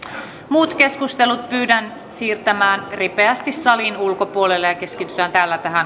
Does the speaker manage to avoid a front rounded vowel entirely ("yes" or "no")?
no